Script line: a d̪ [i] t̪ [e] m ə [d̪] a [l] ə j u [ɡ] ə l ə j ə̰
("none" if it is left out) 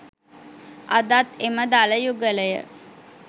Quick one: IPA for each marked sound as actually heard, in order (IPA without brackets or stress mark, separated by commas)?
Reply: a, e, d̪, l, ɡ